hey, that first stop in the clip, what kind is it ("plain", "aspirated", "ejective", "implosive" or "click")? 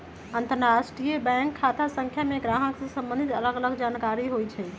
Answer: plain